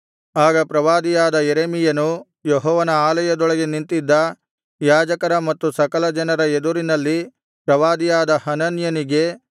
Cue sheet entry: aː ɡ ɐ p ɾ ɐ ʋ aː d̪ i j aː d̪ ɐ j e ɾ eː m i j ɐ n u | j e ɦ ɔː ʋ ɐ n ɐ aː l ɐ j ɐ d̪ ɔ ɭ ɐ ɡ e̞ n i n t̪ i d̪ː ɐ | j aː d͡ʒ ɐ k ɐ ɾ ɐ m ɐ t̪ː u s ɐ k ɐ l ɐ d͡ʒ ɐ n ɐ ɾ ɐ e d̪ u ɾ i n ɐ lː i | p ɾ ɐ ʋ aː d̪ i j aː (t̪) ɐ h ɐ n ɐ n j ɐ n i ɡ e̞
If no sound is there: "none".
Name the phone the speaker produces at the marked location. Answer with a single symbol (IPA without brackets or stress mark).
d̪